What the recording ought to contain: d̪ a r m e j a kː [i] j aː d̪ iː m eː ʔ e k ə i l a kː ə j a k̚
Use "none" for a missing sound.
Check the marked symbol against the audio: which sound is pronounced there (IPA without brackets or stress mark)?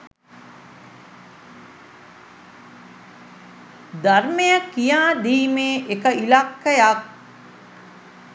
i